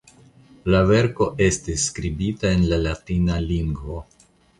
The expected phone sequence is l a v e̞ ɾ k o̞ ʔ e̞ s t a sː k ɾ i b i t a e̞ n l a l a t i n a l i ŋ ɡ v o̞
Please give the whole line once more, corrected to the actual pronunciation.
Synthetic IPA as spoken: l a v e̞ ɾ k o̞ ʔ e̞ s t i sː k ɾ i b i t a e̞ n l a l a t i n a l i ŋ ɡ v o̞